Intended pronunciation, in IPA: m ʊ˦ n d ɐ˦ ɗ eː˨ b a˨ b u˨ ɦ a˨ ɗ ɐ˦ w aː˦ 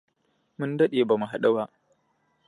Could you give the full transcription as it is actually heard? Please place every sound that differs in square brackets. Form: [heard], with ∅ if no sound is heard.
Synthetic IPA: m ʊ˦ n d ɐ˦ ɗ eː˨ b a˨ [m] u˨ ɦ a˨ ɗ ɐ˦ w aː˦